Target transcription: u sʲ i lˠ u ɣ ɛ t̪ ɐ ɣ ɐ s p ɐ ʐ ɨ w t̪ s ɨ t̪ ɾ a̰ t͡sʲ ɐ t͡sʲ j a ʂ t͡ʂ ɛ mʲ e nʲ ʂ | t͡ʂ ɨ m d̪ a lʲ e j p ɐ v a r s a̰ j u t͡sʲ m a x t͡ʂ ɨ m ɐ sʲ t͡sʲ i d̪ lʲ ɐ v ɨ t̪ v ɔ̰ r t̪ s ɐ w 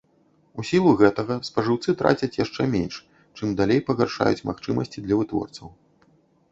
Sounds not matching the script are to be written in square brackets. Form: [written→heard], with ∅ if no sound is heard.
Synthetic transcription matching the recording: u sʲ i lˠ u ɣ ɛ t̪ ɐ ɣ ɐ s p ɐ ʐ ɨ w t̪ s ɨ t̪ ɾ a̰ t͡sʲ ɐ t͡sʲ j a ʂ t͡ʂ ɛ mʲ e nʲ ʂ | t͡ʂ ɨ m d̪ a lʲ e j p ɐ [v→ɣ] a r [s→ʂ] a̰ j u t͡sʲ m a x t͡ʂ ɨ m ɐ sʲ t͡sʲ i d̪ lʲ ɐ v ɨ t̪ v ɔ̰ r t̪ s ɐ w